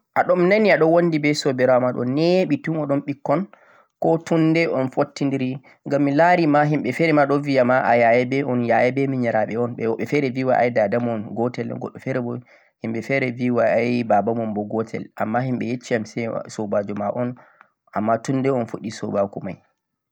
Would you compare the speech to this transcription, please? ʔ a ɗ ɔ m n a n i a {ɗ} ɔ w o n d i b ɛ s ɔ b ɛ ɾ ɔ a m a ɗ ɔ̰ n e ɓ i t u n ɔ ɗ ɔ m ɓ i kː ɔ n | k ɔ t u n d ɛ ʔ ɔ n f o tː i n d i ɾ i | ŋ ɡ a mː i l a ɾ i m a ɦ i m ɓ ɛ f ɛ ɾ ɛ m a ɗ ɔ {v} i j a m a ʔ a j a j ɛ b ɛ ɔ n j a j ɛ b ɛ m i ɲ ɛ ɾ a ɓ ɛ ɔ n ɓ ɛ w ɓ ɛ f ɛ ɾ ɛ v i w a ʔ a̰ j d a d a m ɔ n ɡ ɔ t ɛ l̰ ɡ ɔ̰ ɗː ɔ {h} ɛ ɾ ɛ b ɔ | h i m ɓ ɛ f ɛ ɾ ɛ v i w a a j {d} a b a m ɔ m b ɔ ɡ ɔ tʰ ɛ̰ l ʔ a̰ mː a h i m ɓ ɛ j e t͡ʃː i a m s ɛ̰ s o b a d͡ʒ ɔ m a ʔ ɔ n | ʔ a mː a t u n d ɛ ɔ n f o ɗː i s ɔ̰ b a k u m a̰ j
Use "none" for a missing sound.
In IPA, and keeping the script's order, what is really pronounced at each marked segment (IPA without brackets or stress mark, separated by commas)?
ɗ, v, f, b